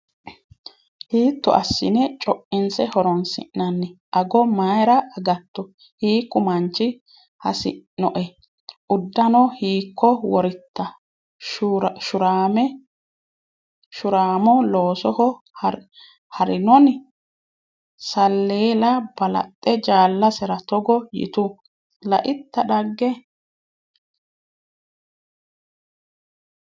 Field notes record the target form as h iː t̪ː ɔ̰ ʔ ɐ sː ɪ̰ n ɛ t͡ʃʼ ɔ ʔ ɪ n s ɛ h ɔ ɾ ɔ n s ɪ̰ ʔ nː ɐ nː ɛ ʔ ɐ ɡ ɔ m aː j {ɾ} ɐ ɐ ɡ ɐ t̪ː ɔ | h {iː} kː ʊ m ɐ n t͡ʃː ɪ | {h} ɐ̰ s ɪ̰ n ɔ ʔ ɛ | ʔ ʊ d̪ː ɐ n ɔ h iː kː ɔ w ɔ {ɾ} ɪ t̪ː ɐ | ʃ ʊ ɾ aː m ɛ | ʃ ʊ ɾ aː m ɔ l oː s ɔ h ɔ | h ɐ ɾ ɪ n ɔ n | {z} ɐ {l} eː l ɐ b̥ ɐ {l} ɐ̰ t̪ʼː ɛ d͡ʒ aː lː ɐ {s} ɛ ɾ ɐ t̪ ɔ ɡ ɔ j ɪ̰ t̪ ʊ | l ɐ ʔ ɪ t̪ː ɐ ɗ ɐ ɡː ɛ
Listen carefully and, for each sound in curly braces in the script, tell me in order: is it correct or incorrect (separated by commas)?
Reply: correct, correct, correct, correct, incorrect, incorrect, correct, correct